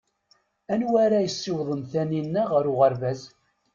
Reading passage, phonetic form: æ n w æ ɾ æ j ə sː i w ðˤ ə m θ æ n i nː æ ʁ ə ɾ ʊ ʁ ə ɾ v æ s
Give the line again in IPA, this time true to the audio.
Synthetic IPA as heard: æ n w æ ɾ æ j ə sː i w ðˤ ə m θ æ n i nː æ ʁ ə ɾ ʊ ʁ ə ɾ v æ z